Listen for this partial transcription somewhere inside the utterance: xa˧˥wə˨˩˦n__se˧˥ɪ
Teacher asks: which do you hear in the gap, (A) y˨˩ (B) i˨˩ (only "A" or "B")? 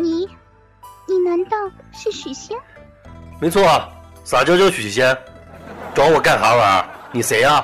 B